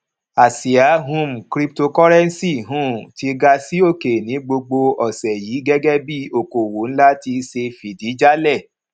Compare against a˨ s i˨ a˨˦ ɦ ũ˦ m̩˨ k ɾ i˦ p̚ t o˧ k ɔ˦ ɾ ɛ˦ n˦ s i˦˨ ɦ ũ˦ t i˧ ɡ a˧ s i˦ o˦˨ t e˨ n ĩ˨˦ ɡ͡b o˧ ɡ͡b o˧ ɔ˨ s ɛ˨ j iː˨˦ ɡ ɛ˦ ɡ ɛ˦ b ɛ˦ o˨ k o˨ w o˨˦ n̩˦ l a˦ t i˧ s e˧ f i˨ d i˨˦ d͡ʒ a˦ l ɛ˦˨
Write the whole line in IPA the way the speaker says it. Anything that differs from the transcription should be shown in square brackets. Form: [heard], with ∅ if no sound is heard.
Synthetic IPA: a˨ s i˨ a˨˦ ɦ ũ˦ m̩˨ k ɾ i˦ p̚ t o˧ k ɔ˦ ɾ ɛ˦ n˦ s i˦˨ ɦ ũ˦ t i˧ ɡ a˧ s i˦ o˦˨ [k] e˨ n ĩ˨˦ ɡ͡b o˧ ɡ͡b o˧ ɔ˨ s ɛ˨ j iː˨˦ ɡ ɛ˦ ɡ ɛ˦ b [i˦] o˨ k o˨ w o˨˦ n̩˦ l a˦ t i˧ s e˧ f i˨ d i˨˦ d͡ʒ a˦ l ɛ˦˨